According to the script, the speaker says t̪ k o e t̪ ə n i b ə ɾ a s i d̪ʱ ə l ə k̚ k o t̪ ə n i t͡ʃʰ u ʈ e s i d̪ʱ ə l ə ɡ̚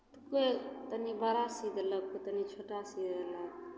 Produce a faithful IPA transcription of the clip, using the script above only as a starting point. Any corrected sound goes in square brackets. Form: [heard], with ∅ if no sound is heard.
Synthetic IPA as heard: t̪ k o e t̪ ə n i b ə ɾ a s i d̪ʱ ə l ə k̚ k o t̪ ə n i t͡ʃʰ [o] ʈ [a] s i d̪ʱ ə l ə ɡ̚